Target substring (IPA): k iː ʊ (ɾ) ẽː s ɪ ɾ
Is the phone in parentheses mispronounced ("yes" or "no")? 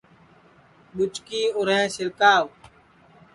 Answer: no